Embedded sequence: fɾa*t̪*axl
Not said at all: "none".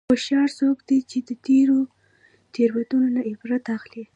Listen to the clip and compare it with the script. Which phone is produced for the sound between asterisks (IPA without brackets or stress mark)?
t̪